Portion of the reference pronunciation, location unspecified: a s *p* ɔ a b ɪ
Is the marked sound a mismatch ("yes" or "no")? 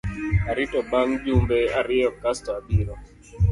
yes